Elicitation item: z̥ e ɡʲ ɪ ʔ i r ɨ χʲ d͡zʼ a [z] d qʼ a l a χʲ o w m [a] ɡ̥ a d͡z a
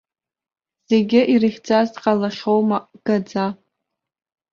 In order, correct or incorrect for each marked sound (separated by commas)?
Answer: correct, correct